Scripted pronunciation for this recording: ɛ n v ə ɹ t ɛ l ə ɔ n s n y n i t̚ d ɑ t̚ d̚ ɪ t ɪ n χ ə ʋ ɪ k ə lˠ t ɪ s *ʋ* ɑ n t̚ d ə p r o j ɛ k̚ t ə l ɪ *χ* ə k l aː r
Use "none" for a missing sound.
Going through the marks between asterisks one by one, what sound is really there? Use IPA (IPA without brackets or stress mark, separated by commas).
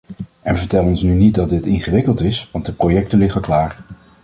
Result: ʋ, χ